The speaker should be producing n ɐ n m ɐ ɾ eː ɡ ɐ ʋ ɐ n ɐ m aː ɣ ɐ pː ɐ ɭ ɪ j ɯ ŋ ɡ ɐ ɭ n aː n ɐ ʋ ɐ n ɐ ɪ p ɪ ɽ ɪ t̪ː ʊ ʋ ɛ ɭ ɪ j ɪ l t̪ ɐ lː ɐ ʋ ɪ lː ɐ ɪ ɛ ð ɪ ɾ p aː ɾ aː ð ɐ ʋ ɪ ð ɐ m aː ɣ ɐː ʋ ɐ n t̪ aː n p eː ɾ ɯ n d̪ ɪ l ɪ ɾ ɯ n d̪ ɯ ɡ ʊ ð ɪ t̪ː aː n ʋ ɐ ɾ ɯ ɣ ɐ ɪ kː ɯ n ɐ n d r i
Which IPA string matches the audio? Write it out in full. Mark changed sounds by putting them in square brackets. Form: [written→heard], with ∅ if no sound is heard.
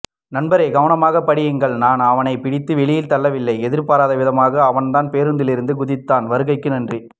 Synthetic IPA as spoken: n ɐ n [m→b] ɐ ɾ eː ɡ ɐ ʋ ɐ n ɐ m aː ɣ ɐ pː ɐ [ɭ→ɽ] ɪ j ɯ ŋ ɡ ɐ ɭ n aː n ɐ ʋ ɐ n ɐ ɪ p ɪ ɽ ɪ t̪ː [ʊ→ɯ] ʋ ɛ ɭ ɪ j ɪ l t̪ ɐ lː ɐ ʋ ɪ lː ɐ ɪ ɛ ð ɪ ɾ p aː ɾ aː ð ɐ ʋ ɪ ð ɐ m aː ɣ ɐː ʋ ɐ n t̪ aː n p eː ɾ ɯ n d̪ ɪ l ɪ ɾ ɯ n d̪ ɯ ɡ ʊ ð ɪ t̪ː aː n ʋ ɐ ɾ ɯ ɣ ɐ ɪ kː ɯ n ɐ n d r i

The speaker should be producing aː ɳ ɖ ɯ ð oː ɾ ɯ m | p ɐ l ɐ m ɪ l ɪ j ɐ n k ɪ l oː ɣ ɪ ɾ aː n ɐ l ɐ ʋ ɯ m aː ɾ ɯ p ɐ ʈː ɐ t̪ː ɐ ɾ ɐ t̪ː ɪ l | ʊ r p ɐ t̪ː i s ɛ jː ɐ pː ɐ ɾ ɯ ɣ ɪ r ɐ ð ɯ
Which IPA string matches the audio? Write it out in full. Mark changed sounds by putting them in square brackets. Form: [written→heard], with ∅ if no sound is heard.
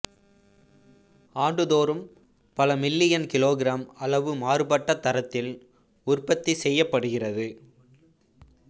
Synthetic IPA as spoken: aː ɳ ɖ ɯ ð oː ɾ ɯ m | p ɐ l ɐ m ɪ [l→lː] ɪ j ɐ n k ɪ l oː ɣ ɪ ɾ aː [n→m] ɐ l ɐ ʋ ɯ m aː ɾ ɯ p ɐ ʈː ɐ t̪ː ɐ ɾ ɐ t̪ː ɪ l | ʊ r p ɐ t̪ː i s ɛ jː ɐ pː ɐ [ɾ→ɽ] ɯ ɣ ɪ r ɐ ð ɯ

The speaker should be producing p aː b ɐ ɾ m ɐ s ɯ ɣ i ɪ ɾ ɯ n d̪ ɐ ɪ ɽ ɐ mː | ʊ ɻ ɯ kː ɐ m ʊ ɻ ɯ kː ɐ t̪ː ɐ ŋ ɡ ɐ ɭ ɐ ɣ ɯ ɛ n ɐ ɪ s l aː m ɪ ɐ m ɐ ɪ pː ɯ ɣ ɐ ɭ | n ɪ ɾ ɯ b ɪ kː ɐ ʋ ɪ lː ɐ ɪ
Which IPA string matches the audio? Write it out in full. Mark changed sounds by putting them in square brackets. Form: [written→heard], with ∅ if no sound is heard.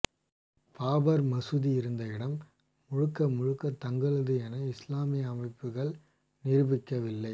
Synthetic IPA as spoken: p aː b ɐ ɾ m ɐ s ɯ [ɣ→ð] i ɪ ɾ ɯ n d̪ ɐ ɪ ɽ ɐ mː | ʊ ɻ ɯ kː ɐ m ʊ ɻ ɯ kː ɐ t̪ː ɐ ŋ ɡ ɐ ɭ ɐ [ɣ→ð] ɯ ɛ n ɐ ɪ s l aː m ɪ ɐ m ɐ ɪ pː ɯ ɣ ɐ ɭ | n ɪ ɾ ɯ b ɪ kː ɐ ʋ ɪ lː ɐ ɪ

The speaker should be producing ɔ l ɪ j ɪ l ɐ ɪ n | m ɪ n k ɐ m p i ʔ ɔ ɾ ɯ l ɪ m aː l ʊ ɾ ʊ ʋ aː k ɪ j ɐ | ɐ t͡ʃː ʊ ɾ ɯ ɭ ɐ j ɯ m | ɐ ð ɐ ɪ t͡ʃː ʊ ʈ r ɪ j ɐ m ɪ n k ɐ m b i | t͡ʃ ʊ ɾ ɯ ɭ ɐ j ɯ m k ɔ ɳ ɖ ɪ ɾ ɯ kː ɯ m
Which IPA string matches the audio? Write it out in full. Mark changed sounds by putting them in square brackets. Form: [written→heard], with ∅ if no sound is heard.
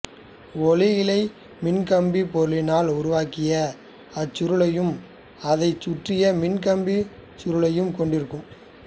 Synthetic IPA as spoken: ɔ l ɪ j ɪ l ɐ ɪ [n→∅] | m ɪ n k ɐ m [p→b] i [ʔ→p] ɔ ɾ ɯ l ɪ [m→n] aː l ʊ ɾ ʊ ʋ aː k ɪ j ɐ | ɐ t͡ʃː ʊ ɾ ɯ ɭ ɐ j ɯ m | ɐ ð ɐ ɪ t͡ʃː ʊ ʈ r ɪ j ɐ m ɪ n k ɐ m b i | t͡ʃ ʊ ɾ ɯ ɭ ɐ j ɯ m k ɔ ɳ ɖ ɪ ɾ ɯ kː ɯ m

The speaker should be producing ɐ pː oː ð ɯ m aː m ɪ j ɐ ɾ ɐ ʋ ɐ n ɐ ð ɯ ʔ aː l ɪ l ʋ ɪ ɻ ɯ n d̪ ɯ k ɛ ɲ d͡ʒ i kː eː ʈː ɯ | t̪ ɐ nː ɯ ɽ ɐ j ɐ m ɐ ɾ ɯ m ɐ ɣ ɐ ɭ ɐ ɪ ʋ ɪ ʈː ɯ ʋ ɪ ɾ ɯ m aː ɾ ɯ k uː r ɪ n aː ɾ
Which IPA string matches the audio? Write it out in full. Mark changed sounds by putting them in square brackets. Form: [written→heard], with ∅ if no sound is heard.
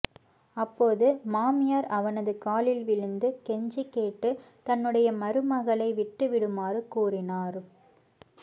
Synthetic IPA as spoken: ɐ pː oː ð ɯ m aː m ɪ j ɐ ɾ ɐ ʋ ɐ n ɐ ð ɯ [ʔ→k] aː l ɪ l ʋ ɪ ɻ ɯ n d̪ ɯ k ɛ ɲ d͡ʒ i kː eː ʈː ɯ | t̪ ɐ nː ɯ ɽ ɐ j ɐ m ɐ ɾ ɯ m ɐ ɣ ɐ ɭ ɐ ɪ ʋ ɪ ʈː ɯ ʋ ɪ [ɾ→ɽ] ɯ m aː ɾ ɯ k uː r ɪ n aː ɾ

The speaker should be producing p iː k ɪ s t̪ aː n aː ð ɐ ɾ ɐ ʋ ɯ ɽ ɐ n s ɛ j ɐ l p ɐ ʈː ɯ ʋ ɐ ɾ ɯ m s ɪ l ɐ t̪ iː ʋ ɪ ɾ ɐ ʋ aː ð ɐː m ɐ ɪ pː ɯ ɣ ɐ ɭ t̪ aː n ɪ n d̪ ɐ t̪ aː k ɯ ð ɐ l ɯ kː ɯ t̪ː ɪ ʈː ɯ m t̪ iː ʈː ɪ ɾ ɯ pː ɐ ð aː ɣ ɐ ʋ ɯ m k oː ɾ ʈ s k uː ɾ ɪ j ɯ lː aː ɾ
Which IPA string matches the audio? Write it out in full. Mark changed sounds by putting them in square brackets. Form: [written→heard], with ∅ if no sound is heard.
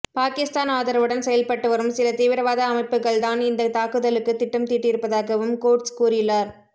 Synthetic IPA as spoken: p [iː→aː] k ɪ s t̪ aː n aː ð ɐ ɾ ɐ ʋ ɯ ɽ ɐ n s ɛ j ɐ l p ɐ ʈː ɯ ʋ ɐ ɾ ɯ m s ɪ l ɐ t̪ iː ʋ ɪ ɾ ɐ ʋ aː ð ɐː m ɐ ɪ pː ɯ ɣ ɐ ɭ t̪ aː n ɪ n d̪ ɐ t̪ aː k ɯ ð ɐ l ɯ kː ɯ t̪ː ɪ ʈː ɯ m t̪ iː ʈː ɪ ɾ ɯ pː ɐ ð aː ɣ ɐ ʋ ɯ m k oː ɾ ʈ s k uː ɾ ɪ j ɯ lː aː ɾ

